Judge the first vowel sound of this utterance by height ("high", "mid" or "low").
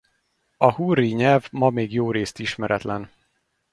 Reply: low